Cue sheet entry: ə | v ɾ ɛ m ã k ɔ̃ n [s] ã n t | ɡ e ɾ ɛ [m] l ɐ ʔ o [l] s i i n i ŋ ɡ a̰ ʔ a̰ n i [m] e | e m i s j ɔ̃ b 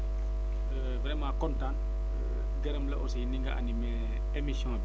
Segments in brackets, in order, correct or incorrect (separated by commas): incorrect, correct, incorrect, correct